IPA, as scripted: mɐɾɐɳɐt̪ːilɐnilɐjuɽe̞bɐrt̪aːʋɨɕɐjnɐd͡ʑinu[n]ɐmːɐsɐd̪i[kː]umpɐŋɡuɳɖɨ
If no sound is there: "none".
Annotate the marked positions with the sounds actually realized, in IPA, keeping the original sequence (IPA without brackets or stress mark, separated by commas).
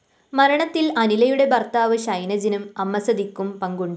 m, kː